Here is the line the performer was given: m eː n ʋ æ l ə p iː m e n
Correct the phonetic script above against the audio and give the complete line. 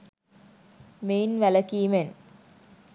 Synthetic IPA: m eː n ʋ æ l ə k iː m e n